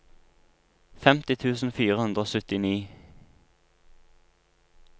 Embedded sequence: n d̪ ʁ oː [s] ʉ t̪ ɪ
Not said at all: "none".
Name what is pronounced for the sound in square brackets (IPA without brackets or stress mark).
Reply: s